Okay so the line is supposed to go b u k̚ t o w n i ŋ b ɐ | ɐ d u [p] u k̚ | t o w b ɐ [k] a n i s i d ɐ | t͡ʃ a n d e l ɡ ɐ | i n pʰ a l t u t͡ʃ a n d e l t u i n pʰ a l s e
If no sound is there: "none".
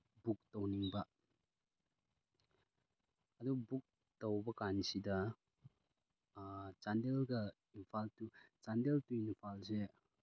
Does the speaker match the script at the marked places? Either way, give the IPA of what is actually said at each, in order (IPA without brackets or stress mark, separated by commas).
b, k